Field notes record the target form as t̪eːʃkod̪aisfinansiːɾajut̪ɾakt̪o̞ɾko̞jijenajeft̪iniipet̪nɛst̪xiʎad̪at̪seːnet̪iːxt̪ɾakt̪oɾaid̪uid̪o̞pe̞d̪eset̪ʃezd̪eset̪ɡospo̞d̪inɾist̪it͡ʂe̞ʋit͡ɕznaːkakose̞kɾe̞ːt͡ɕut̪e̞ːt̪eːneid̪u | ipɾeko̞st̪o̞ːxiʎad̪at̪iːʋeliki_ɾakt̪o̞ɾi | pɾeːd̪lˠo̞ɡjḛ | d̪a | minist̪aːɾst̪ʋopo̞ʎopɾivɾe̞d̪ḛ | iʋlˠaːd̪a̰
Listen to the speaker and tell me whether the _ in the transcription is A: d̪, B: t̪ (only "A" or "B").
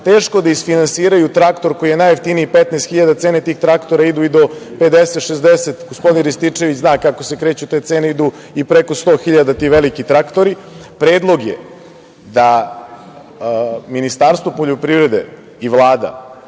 B